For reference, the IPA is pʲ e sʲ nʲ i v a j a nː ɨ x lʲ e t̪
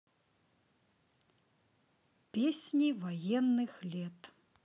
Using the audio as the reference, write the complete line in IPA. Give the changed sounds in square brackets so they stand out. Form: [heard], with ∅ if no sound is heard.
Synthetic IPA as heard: pʲ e sʲ nʲ i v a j [ɛ] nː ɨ x lʲ [ɛ] t̪